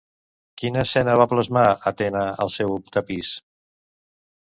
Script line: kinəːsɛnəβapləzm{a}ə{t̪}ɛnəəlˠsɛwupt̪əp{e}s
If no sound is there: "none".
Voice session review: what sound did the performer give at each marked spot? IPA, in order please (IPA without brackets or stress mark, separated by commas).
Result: a, t̪, i